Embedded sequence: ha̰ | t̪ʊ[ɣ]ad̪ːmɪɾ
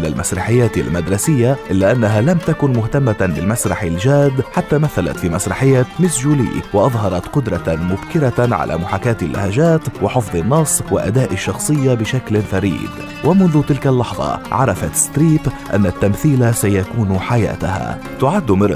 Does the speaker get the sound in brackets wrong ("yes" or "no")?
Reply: yes